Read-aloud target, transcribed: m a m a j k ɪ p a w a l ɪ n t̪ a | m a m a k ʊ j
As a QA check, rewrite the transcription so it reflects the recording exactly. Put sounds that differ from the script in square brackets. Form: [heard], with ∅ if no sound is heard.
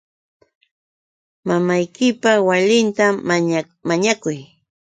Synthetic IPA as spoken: m a m a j k ɪ p a w a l ɪ n t̪ a | m a [ɲ] a k ʊ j